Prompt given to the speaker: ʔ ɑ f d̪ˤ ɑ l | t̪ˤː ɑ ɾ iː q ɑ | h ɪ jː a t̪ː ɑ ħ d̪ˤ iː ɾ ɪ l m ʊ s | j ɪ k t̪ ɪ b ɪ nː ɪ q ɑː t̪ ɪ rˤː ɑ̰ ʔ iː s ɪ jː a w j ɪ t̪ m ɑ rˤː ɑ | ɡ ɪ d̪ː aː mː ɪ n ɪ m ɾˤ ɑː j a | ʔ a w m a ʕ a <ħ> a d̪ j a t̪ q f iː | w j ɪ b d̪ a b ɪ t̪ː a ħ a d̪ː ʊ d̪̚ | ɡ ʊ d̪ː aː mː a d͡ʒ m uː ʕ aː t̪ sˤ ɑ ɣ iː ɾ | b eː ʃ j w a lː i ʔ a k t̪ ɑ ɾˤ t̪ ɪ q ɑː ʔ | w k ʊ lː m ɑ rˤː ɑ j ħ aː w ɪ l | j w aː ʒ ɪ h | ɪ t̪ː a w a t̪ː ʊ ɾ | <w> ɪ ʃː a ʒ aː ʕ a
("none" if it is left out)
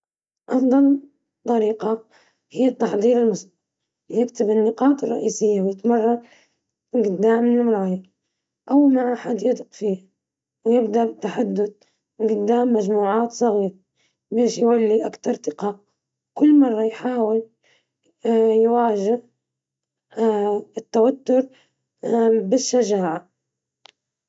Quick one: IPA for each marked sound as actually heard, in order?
ħ, b

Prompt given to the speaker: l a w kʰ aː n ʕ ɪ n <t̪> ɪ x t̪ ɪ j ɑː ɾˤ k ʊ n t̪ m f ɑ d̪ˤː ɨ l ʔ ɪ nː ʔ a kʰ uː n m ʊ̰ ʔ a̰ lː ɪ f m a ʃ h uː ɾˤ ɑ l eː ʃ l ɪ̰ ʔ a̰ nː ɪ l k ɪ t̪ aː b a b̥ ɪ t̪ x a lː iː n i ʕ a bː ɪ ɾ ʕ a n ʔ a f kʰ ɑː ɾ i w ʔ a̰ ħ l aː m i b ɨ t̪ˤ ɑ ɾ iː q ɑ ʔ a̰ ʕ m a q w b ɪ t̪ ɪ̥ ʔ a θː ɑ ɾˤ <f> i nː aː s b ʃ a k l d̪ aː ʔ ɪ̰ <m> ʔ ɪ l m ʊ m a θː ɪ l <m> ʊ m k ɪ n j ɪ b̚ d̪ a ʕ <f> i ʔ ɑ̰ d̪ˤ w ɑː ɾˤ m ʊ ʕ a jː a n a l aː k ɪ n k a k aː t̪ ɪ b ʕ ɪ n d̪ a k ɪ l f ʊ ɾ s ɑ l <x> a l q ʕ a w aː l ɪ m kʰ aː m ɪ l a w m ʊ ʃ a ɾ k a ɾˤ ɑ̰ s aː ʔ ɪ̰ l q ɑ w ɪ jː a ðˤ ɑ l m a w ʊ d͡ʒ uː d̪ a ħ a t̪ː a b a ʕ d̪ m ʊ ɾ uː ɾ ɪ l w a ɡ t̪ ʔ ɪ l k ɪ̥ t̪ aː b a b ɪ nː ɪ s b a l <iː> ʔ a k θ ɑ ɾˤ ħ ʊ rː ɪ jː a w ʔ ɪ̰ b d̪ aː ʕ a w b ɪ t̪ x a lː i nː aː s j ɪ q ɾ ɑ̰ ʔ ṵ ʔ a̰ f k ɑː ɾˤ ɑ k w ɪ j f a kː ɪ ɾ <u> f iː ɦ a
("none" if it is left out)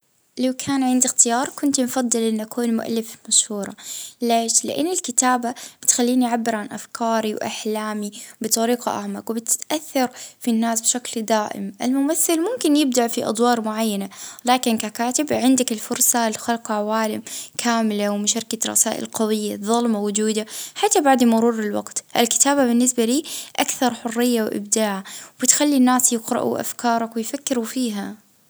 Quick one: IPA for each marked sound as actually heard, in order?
d̪, f, m, m, f, x, iː, u

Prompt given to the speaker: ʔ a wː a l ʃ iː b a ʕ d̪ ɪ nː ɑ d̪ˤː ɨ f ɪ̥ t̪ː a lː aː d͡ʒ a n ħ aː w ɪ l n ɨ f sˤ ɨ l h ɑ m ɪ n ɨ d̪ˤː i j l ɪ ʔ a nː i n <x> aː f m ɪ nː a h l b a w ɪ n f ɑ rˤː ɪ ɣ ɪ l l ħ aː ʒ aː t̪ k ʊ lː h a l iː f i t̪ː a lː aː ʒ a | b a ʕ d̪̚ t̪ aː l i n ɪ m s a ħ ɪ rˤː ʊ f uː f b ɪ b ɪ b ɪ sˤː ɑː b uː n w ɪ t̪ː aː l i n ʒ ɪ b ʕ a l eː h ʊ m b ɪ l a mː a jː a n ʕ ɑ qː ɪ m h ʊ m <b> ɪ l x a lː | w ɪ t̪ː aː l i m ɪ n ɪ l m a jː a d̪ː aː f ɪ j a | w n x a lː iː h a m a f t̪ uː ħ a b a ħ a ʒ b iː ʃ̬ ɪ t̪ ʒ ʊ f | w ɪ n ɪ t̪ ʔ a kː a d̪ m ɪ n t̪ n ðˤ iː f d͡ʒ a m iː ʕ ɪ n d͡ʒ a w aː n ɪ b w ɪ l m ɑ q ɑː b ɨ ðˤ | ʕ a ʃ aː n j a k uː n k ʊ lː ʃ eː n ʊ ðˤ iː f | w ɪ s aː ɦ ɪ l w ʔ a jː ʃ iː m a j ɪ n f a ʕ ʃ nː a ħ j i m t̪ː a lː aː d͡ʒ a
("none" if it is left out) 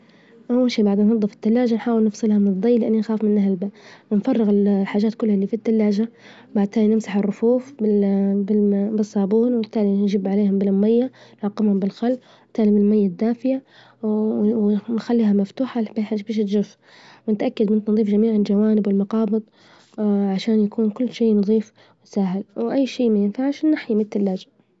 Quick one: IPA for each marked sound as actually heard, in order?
x, b

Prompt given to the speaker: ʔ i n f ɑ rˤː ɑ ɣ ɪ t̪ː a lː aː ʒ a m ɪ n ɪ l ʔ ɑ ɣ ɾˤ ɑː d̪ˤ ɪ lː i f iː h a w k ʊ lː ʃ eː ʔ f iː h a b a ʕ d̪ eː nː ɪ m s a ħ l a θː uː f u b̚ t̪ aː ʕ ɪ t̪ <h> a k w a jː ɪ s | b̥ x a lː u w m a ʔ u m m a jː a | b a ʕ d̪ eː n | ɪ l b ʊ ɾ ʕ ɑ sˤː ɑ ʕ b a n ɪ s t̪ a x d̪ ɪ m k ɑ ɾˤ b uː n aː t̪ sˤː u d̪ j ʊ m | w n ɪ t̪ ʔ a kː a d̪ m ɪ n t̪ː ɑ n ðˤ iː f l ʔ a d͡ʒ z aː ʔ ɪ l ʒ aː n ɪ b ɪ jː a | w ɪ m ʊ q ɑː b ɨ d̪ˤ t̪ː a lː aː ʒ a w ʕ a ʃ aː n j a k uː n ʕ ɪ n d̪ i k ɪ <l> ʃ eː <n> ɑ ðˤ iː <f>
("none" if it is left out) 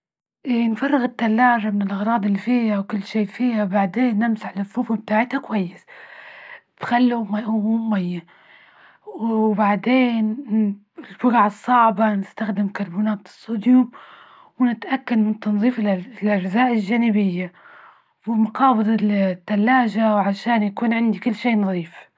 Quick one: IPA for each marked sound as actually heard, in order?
h, lː, n, f

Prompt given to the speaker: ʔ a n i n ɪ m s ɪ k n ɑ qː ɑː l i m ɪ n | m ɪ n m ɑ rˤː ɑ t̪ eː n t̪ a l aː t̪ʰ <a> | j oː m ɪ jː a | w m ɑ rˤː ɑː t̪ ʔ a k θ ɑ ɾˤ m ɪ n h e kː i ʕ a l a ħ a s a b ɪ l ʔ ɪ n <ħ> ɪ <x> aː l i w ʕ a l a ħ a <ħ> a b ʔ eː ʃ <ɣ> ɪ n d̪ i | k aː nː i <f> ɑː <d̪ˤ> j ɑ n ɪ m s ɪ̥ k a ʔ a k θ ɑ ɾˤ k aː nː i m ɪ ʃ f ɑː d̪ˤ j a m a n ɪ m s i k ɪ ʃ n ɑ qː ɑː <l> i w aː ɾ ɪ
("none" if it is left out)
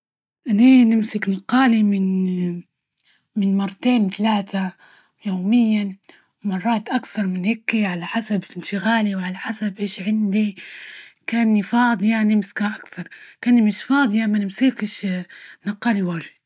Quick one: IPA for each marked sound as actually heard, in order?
a, ʃ, ɣ, s, ʕ, f, d̪ˤ, l

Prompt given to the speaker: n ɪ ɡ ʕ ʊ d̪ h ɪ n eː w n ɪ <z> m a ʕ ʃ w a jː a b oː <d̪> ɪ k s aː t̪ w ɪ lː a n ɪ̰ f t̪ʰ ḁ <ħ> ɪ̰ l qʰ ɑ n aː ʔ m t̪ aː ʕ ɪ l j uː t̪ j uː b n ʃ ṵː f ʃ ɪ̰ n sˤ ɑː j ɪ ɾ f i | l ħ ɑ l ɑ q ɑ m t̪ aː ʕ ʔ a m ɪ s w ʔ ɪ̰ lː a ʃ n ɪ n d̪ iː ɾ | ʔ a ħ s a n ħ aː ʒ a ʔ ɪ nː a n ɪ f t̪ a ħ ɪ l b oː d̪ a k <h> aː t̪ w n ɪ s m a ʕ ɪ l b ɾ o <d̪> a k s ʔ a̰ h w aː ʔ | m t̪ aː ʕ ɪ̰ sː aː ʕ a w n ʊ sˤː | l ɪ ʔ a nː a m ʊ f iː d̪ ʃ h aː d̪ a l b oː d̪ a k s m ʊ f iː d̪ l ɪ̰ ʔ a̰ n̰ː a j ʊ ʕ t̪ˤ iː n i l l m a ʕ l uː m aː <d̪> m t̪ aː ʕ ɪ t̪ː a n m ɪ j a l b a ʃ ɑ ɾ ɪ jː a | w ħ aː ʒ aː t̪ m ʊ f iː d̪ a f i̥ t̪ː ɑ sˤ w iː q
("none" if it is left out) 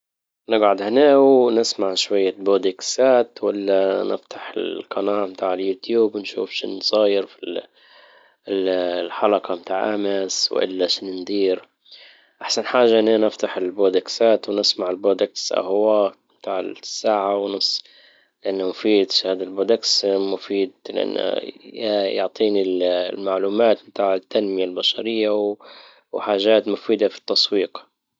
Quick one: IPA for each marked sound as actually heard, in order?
s, d̪, ħ, s, d̪, t̪

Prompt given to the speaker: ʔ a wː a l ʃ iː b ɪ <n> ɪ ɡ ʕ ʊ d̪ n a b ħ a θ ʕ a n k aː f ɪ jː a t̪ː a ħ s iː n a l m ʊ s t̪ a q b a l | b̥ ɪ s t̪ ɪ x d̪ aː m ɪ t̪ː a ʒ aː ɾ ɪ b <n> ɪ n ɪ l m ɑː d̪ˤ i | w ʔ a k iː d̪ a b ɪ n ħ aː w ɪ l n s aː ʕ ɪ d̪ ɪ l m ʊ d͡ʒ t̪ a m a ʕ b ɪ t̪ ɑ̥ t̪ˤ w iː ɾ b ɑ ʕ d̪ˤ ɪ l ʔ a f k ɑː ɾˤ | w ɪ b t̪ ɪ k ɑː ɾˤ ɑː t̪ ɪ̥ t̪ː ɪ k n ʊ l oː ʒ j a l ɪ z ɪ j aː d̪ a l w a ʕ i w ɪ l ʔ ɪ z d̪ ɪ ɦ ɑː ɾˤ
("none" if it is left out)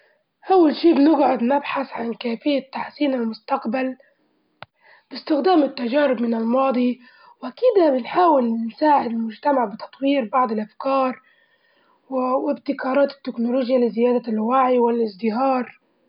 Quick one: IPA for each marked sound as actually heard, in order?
n, m

